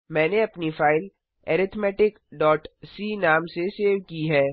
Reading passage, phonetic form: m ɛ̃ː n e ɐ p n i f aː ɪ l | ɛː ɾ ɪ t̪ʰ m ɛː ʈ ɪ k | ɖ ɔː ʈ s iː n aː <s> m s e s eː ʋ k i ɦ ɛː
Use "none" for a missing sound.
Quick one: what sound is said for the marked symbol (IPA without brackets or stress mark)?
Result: none